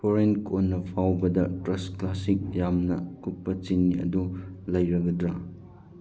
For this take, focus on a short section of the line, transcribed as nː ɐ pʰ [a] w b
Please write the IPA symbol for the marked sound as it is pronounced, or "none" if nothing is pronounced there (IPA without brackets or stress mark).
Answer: a